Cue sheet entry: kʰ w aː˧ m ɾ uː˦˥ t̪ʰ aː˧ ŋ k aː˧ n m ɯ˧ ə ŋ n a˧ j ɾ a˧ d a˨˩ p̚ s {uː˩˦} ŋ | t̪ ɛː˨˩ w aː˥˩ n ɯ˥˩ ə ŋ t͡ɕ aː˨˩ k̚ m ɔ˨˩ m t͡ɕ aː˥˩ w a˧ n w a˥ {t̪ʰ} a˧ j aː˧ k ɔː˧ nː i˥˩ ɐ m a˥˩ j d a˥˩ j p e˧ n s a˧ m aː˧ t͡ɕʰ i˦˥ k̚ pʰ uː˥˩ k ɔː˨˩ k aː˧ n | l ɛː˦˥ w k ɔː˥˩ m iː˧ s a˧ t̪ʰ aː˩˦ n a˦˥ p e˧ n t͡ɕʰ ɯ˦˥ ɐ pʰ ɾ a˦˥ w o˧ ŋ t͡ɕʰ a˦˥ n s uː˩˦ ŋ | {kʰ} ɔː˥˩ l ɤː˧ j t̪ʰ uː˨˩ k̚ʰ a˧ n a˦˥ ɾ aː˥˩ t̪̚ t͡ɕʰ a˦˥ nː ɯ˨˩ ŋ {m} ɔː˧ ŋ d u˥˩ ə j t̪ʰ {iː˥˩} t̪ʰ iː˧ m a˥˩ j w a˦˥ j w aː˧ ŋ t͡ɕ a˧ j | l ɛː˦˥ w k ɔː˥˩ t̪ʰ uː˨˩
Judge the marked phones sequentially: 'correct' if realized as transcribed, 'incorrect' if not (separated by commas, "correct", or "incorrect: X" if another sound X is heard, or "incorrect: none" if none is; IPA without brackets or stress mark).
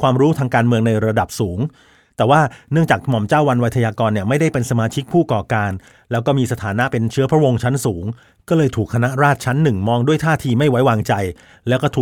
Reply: correct, correct, incorrect: k, correct, incorrect: aː˥˩